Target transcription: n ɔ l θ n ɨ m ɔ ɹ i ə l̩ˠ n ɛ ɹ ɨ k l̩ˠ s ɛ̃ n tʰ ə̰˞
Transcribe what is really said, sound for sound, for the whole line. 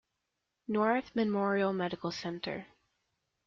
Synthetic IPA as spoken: n ɔ ɹ θ m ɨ m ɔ ɹ i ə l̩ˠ m ɛ ɾ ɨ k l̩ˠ s ɛ̃ n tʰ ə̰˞

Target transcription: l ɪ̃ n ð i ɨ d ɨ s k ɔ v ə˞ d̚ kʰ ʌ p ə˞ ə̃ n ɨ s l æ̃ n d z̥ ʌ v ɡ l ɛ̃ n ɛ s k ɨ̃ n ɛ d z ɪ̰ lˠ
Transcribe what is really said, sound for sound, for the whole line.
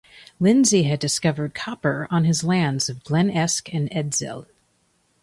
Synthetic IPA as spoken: l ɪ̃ n z i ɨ d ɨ s k ʌ v ə˞ d̚ kʰ ɑ p ə˞ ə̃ n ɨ z l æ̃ n d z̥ ʌ v ɡ l ɛ̃ n ɛ s k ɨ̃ n ɛ d z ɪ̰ lˠ

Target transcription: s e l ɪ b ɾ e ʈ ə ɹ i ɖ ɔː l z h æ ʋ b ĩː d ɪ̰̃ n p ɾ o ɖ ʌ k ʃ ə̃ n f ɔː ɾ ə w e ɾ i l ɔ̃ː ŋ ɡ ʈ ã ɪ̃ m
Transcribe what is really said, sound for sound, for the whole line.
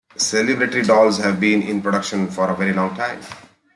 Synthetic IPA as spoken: s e l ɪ b ɾ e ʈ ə ɾ i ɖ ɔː l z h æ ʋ b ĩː n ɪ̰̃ n p ɾ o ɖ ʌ k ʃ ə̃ n f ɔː ɾ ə ʋ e ɾ i l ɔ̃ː ŋ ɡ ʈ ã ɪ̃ m

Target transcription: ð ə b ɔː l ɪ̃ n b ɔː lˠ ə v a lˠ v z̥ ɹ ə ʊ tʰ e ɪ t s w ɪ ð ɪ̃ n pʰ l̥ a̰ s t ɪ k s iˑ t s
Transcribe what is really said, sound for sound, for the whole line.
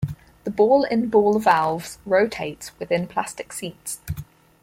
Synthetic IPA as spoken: ð ə b ɔː l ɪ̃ n b ɔː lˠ ə v a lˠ v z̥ ɹ ə ʊ tʰ e ɪ t s w ɪ ð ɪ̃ n pʰ l̥ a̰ s t ɪ k s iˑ t s

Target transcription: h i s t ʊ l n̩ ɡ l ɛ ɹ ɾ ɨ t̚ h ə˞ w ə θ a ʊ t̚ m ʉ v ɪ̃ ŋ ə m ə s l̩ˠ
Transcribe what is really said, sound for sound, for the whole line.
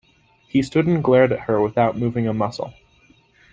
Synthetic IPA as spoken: h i s t ʊ ɾ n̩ ɡ l ɛ ɹ ɾ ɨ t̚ h ə˞ w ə θ a ʊ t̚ m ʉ v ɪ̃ ŋ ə m ʌ s l̩ˠ

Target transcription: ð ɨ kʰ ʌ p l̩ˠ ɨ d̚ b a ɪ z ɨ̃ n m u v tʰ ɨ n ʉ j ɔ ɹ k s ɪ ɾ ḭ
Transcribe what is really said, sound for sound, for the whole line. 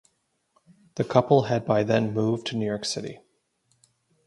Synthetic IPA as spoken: ð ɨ kʰ ʌ p l̩ˠ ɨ d̚ b a ɪ ð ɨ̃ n m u v tʰ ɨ n ʉ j ɔ ɹ k s ɪ ɾ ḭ

